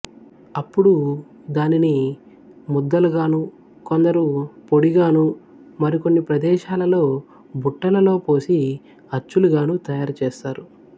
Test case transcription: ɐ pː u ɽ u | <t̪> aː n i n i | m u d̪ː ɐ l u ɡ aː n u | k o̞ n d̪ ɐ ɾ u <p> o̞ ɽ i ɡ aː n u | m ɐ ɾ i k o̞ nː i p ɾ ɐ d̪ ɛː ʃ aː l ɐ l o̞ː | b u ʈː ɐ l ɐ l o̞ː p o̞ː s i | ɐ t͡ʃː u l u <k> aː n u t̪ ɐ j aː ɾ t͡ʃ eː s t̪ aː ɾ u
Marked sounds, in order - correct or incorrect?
incorrect, correct, incorrect

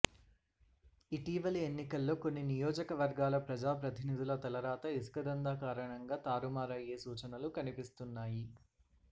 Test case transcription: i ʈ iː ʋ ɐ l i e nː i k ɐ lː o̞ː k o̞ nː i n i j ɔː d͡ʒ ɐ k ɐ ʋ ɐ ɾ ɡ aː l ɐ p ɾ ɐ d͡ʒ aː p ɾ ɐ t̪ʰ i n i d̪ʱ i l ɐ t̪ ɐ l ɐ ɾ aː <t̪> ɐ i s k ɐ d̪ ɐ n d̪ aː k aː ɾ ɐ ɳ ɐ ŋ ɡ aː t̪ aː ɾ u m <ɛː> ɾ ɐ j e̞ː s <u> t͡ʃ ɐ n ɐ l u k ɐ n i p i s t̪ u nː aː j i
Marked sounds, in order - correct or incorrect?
correct, incorrect, incorrect

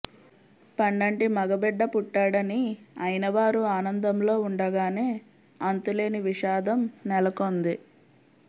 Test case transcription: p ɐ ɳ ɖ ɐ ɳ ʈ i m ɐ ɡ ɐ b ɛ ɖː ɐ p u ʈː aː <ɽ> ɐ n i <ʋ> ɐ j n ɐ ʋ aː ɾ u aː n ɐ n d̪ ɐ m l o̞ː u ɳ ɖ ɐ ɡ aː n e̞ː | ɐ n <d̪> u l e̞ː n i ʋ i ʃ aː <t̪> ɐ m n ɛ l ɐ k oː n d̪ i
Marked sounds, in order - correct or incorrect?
correct, incorrect, incorrect, incorrect

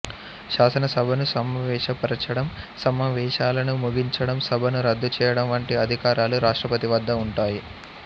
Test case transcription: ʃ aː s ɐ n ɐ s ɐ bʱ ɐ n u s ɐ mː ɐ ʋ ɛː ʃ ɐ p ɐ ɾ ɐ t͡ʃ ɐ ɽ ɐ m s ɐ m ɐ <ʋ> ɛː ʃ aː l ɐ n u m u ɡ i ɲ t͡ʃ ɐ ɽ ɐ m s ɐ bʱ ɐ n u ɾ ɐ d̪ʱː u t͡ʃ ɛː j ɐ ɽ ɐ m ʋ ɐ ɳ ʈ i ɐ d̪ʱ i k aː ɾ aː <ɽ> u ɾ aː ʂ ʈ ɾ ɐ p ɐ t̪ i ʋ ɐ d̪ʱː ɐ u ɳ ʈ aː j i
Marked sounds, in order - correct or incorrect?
correct, incorrect

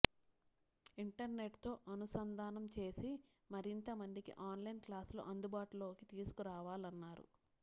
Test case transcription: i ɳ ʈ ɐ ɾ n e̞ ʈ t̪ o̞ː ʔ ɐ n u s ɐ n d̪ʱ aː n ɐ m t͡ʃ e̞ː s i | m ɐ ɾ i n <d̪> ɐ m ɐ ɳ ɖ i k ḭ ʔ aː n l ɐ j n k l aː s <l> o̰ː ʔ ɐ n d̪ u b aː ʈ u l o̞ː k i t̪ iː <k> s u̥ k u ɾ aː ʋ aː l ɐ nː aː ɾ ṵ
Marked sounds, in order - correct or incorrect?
incorrect, correct, incorrect

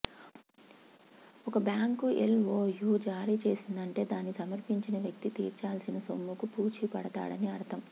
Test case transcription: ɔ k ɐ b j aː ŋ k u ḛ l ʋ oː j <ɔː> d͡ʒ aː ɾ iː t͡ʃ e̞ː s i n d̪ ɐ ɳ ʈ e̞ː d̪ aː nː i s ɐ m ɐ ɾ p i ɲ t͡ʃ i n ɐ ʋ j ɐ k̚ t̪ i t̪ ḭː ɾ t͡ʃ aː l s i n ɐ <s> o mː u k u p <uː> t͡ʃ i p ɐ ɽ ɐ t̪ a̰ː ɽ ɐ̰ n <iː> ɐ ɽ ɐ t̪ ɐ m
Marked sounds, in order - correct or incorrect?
incorrect, correct, correct, incorrect

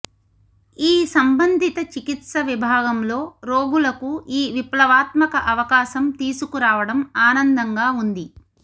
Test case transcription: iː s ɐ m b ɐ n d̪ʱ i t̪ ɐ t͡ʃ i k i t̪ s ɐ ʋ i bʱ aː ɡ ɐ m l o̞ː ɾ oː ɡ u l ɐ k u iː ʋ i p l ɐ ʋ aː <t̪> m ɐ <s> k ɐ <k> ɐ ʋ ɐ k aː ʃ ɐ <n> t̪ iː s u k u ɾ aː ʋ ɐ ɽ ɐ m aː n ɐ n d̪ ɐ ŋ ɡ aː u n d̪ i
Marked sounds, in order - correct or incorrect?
correct, incorrect, incorrect, incorrect

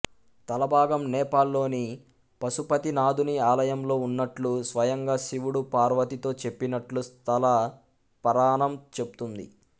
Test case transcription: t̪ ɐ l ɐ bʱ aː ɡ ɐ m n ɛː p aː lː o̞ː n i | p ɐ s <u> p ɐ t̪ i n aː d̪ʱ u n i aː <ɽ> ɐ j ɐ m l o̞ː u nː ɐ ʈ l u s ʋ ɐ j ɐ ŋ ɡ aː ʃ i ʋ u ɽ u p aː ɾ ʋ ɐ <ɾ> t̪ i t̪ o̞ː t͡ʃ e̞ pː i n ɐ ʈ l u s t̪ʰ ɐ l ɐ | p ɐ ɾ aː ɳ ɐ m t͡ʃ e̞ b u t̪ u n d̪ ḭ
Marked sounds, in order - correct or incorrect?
correct, incorrect, incorrect

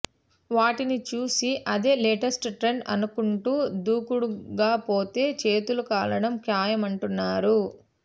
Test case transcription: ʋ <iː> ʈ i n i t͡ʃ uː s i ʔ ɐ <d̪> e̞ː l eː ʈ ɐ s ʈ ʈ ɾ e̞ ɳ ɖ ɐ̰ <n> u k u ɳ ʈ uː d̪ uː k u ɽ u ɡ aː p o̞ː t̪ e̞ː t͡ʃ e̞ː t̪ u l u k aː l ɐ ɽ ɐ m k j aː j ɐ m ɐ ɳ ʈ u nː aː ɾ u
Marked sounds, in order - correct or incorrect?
incorrect, correct, correct

